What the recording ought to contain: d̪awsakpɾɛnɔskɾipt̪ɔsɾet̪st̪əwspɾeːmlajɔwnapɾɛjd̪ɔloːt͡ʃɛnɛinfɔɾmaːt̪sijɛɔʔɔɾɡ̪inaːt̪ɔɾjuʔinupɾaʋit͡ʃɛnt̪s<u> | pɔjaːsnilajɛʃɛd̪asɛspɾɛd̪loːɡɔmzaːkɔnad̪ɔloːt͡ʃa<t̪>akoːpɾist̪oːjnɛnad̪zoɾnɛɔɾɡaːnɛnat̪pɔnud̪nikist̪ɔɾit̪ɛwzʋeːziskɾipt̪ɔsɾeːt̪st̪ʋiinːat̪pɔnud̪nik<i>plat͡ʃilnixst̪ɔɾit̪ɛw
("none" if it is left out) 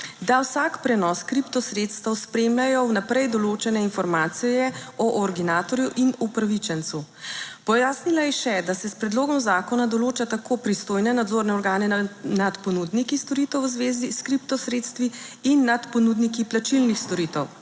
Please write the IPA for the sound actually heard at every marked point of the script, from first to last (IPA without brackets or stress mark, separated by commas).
u, t̪, i